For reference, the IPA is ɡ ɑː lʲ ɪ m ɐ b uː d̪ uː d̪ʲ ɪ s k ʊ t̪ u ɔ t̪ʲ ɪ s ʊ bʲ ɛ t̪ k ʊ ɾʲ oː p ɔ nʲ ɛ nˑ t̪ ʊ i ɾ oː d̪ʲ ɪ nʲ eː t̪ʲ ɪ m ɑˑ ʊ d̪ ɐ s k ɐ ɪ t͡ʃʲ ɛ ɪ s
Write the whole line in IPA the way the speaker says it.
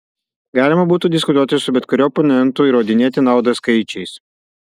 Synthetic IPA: ɡ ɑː lʲ ɪ m ɐ b uː t̪ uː d̪ʲ ɪ s k ʊ t̪ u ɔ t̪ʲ ɪ s ʊ bʲ ɛ t̪ k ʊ ɾʲ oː p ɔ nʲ ɛ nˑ t̪ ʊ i ɾ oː d̪ʲ ɪ nʲ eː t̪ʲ ɪ n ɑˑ ʊ d̪ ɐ s k ɐ ɪ t͡ʃʲ ɛ ɪ s